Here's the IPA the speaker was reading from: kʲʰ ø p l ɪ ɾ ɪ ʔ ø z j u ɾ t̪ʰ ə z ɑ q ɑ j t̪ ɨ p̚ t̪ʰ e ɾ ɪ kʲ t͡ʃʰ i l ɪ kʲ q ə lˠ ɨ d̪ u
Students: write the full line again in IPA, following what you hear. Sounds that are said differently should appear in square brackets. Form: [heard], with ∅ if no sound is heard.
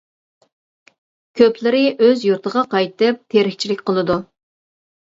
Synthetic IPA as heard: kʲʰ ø p l ɪ ɾ ɪ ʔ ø z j u ɾ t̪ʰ ə [ʁ] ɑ q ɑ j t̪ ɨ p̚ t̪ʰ e ɾ ɪ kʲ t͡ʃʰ i l ɪ kʲ q ə lˠ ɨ d̪ u